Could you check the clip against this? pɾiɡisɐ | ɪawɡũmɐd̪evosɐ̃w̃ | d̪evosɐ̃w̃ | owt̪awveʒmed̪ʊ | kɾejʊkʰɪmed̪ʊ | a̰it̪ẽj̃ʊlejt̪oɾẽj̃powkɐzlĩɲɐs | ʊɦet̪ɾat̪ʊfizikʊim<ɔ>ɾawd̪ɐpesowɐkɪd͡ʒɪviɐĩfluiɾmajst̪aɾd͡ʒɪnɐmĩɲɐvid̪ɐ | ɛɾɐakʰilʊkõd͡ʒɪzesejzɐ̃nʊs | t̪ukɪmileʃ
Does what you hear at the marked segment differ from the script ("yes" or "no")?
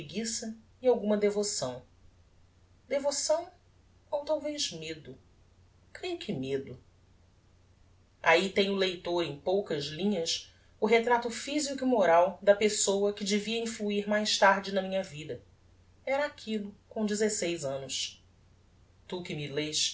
yes